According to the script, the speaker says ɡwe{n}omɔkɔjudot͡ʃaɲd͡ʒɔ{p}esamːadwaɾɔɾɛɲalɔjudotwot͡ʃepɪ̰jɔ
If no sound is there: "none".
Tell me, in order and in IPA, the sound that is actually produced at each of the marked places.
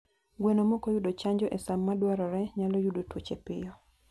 n, ʔ

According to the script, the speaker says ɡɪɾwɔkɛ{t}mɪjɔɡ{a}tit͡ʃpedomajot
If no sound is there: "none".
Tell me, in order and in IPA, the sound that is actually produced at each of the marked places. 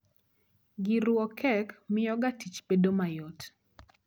k, a

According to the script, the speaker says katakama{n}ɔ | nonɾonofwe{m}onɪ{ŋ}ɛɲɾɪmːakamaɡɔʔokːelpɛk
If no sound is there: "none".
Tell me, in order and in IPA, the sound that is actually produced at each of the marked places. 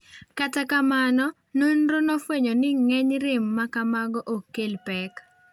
n, ɲ, ŋ

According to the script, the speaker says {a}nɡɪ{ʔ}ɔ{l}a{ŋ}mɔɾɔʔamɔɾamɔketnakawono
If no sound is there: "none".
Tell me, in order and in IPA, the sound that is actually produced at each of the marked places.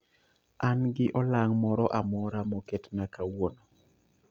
a, ʔ, l, ŋ

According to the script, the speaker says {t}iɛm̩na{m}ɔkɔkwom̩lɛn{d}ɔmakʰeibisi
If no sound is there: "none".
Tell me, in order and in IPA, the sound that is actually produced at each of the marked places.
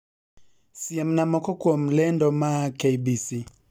s, m, d

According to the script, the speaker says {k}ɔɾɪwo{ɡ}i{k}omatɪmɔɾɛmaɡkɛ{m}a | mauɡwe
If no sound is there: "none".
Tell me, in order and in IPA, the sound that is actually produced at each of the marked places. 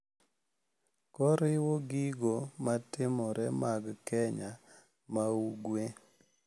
k, ɡ, ɡ, ɲ

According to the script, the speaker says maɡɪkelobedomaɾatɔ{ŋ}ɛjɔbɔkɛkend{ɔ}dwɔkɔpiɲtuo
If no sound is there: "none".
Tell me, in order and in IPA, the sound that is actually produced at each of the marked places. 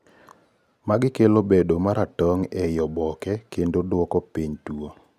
ŋ, o

